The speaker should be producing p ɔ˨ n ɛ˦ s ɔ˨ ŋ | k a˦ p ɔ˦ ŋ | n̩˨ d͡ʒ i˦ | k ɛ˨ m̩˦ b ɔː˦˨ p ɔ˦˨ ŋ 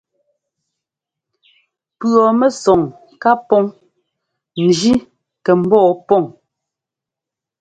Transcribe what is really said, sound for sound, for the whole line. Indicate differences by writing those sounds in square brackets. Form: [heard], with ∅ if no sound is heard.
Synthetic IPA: p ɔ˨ [m] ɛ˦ s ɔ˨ ŋ | k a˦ p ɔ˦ ŋ | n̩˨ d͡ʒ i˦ | k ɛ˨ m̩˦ b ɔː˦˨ p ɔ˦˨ ŋ